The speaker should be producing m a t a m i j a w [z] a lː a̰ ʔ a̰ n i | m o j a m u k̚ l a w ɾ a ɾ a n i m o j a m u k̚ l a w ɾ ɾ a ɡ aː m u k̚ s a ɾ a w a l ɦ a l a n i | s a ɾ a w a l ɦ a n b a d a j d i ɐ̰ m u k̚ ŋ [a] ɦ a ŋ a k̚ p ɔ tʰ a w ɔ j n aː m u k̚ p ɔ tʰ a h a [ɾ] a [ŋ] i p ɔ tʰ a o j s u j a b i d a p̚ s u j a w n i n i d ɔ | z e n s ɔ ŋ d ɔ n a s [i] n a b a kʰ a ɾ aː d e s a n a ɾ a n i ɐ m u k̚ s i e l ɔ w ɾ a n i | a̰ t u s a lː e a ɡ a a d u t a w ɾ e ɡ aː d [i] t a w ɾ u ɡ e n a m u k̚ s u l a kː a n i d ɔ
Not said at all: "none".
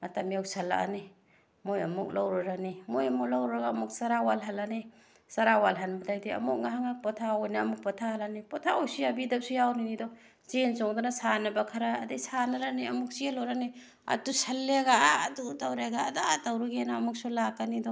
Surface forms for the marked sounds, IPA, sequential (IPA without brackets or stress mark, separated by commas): s, a, l, n, a, a